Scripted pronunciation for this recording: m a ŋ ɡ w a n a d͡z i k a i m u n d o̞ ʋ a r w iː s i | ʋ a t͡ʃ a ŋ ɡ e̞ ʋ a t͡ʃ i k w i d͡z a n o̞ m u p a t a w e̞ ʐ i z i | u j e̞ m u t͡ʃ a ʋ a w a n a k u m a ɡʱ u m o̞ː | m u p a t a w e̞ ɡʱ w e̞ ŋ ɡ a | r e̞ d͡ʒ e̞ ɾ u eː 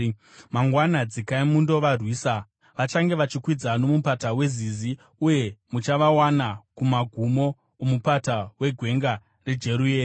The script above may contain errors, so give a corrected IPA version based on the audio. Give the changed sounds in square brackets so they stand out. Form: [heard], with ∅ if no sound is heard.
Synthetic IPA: m a ŋ ɡ w a n a d͡z i k a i m u n d o̞ ʋ a r w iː s [a] | ʋ a t͡ʃ a ŋ ɡ e̞ ʋ a t͡ʃ i k w i d͡z a n o̞ m u p a t a w e̞ [z] i z i | u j e̞ m u t͡ʃ a ʋ a w a n a k u m a ɡʱ u m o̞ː | m u p a t a w e̞ ɡʱ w e̞ ŋ ɡ a | r e̞ d͡ʒ e̞ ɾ u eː